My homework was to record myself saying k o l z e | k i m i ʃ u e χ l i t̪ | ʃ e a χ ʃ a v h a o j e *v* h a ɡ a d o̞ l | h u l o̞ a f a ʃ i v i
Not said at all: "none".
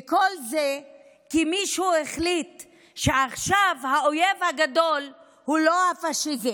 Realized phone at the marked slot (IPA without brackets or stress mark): v